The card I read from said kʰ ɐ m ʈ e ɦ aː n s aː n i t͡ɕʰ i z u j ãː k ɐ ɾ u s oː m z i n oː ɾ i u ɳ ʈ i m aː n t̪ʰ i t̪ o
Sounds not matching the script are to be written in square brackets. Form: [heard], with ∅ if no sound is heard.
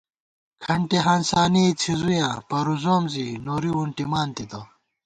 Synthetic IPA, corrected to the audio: kʰ ɐ [ɳ] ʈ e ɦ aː n s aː n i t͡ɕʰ i z u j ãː [p] ɐ ɾ u [z] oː m z i n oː ɾ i u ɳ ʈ i m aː n [t̪] i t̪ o